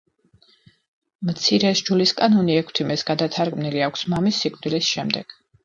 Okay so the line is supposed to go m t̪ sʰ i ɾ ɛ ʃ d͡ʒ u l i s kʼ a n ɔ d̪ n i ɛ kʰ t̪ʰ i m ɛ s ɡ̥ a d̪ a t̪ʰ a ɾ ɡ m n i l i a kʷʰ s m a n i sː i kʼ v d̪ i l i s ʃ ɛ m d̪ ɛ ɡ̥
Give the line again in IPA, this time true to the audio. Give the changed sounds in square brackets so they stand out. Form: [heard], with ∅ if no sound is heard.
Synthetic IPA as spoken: m t̪ sʰ i ɾ ɛ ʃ d͡ʒ u l i s kʼ a n ɔ [∅] n i ɛ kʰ t̪ʰ i m ɛ s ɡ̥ a d̪ a t̪ʰ a ɾ ɡ m n i l i a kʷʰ s m a [m] i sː i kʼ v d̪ i l i s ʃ ɛ m d̪ ɛ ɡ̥